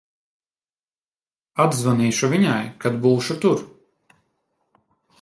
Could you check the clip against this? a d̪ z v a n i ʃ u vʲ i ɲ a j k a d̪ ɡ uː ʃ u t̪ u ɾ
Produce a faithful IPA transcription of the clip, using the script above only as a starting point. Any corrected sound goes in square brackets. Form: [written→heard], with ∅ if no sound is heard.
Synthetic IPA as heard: a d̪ z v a n [i→iː] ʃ u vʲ i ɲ a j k a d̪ [ɡ→b] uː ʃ u t̪ u ɾ